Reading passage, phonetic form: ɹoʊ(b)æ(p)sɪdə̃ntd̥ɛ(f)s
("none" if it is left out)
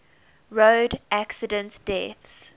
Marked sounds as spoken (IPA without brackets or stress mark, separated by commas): d, k, θ